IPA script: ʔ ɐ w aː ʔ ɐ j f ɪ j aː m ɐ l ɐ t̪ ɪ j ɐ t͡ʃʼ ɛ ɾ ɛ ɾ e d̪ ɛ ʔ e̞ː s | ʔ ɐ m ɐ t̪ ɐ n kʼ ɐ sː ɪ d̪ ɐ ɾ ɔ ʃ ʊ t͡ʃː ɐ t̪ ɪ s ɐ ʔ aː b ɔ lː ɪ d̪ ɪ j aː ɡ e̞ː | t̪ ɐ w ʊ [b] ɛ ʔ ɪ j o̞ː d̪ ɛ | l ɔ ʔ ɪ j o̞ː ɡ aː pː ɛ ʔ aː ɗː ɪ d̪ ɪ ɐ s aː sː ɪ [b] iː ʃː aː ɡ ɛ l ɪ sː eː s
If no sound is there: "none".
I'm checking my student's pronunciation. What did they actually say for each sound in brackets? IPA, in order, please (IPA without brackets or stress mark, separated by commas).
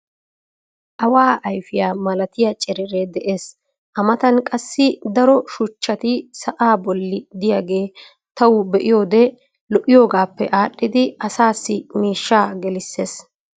b, m